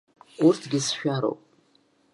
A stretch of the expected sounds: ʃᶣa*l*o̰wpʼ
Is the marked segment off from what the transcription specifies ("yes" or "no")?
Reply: yes